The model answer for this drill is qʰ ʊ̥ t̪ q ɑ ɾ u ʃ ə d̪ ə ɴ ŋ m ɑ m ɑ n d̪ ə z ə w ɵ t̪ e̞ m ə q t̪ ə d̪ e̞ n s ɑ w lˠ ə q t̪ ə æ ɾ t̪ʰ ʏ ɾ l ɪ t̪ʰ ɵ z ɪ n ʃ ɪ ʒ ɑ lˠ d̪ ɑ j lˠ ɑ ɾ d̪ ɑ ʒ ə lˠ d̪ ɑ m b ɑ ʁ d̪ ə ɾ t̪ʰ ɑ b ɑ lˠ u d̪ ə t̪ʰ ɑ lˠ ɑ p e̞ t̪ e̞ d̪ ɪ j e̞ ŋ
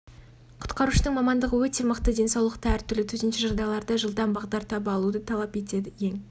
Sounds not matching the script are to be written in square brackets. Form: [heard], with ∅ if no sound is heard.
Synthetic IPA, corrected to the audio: qʰ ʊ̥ t̪ q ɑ ɾ u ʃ ə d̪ ə ɴ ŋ m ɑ m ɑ n d̪ ə [ʁ] ə w ɵ t̪ e̞ m ə q t̪ ə d̪ e̞ n s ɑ w lˠ ə q t̪ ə æ ɾ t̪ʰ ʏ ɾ l ɪ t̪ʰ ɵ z ɪ n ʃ ɪ ʒ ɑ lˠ d̪ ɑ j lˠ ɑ ɾ d̪ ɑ ʒ ə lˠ d̪ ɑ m b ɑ ʁ d̪ [ɑ] ɾ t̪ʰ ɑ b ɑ lˠ u d̪ ə t̪ʰ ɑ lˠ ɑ p e̞ t̪ e̞ d̪ ɪ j e̞ ŋ